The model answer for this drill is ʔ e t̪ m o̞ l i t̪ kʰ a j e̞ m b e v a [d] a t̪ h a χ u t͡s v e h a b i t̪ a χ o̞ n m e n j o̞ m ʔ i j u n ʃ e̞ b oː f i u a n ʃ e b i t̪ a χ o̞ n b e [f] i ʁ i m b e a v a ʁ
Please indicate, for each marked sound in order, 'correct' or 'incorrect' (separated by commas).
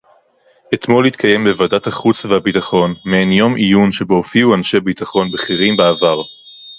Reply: correct, incorrect